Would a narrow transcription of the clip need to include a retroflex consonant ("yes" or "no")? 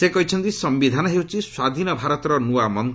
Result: no